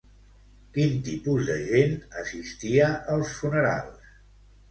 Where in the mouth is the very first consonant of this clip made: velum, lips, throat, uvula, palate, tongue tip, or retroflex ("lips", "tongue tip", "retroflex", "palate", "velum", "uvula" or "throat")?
velum